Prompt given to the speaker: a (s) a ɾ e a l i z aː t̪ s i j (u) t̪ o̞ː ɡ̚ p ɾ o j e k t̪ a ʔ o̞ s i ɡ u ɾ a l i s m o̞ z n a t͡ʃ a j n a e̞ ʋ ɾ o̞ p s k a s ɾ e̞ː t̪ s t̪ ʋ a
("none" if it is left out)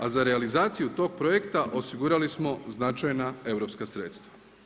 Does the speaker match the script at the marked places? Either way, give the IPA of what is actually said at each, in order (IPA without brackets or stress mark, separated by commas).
z, u